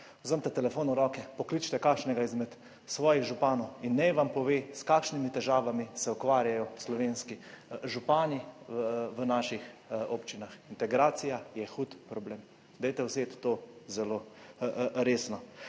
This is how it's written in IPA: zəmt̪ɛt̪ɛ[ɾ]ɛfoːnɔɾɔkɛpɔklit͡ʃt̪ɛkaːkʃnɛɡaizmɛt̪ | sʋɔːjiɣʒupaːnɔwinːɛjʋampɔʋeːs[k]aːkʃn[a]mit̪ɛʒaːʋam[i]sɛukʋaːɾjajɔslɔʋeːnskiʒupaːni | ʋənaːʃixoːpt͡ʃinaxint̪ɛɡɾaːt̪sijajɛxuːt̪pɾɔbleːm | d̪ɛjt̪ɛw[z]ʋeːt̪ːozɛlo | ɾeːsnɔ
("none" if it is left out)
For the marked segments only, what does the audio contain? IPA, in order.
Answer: l, k, i, i, s

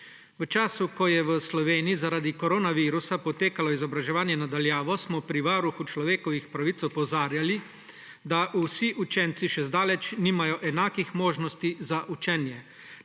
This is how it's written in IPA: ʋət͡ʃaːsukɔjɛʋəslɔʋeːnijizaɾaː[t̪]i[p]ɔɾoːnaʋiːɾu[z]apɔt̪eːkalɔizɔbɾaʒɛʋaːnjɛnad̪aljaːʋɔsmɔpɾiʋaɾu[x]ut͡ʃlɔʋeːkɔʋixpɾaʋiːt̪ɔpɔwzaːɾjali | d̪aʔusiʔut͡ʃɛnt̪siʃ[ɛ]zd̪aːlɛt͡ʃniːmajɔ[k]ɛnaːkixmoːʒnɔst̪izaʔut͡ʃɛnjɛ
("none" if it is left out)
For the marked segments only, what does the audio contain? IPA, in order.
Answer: d̪, k, s, x, ɛ, ʔ

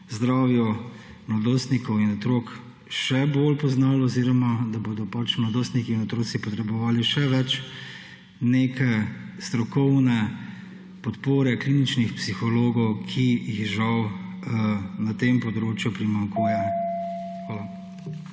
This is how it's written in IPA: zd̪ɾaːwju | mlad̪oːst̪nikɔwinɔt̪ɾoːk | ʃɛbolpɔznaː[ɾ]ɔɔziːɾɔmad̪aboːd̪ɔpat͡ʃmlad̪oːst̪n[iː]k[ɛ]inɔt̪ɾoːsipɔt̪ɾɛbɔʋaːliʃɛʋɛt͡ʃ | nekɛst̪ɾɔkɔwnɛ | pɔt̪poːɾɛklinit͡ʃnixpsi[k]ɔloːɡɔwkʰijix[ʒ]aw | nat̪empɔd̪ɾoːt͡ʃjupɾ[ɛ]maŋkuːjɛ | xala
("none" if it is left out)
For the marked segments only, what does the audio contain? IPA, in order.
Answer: l, i, i, x, ʒ, i

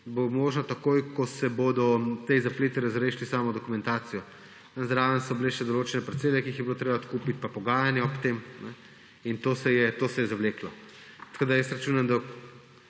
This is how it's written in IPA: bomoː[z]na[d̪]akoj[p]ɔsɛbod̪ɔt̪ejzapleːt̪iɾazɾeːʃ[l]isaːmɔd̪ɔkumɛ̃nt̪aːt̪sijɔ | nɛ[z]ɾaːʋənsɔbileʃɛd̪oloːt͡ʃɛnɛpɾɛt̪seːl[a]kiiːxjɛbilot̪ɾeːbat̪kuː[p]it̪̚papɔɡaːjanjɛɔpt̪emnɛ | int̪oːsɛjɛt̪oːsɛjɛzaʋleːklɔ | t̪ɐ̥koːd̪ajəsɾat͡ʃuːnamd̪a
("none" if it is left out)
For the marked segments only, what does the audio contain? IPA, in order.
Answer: ʒ, t̪, k, l, z, ɛ, p

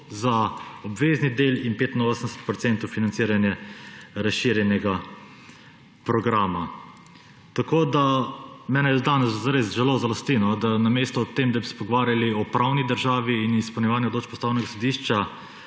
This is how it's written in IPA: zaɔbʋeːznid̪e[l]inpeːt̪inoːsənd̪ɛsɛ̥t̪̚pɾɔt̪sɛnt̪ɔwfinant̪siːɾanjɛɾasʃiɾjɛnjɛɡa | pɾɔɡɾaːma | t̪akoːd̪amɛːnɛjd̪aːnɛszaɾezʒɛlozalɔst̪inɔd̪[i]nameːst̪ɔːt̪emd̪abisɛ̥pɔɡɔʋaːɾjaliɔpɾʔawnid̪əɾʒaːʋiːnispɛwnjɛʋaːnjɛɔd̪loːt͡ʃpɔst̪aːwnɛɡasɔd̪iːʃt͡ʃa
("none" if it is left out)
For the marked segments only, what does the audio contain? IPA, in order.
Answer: l, a

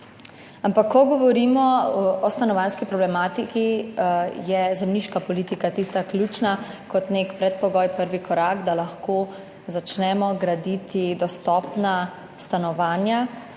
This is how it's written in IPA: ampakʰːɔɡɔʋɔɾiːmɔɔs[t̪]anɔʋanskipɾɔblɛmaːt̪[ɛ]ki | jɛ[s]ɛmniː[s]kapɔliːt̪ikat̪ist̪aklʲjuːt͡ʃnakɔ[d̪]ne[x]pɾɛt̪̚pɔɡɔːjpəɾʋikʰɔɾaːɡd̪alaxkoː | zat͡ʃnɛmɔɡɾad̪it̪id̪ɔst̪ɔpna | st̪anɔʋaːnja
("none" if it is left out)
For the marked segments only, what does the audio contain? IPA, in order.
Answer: t̪, i, z, ʃ, t̪, k

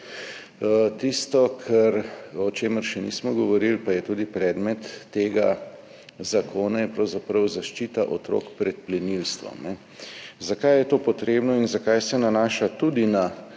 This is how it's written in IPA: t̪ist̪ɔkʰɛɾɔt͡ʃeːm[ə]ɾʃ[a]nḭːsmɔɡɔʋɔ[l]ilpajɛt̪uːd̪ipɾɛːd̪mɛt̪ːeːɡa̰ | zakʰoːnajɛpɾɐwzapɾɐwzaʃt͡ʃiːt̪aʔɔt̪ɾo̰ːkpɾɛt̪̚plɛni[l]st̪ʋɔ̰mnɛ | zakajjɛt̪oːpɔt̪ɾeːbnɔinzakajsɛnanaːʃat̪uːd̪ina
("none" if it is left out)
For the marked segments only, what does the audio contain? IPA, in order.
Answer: ə, ɛ, ɾ, l

